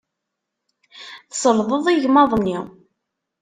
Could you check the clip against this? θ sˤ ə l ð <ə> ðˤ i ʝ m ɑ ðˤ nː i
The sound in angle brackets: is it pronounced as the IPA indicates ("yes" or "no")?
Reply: yes